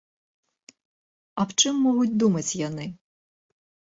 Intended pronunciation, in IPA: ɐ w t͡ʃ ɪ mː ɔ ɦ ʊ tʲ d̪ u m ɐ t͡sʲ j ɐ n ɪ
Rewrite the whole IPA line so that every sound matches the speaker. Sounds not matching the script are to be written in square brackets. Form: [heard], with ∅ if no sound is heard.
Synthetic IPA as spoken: ɐ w t͡ʃ ɪ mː ɔ ɦ ʊ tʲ d̪ u m ɐ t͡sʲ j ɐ n ɪ